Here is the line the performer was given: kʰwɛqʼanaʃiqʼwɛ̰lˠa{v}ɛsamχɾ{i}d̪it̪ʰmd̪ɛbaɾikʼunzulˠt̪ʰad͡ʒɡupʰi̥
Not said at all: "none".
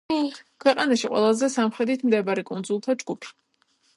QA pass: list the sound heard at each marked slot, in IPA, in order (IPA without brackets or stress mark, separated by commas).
z, ɛ